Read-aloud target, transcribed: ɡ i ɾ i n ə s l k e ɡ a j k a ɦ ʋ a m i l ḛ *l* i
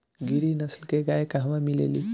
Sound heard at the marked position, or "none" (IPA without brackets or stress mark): l